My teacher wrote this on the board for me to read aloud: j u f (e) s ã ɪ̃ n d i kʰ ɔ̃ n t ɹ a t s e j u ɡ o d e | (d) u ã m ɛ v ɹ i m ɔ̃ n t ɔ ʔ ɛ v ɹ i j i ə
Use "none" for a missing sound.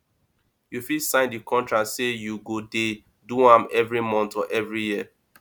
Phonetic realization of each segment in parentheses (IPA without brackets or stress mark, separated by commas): i, d